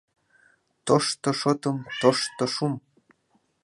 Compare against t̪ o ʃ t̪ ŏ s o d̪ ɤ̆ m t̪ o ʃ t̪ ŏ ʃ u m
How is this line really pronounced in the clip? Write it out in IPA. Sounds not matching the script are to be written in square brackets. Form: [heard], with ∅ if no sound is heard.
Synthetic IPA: t̪ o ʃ t̪ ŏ [ʃ] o [t̪] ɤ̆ m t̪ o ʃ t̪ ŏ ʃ u m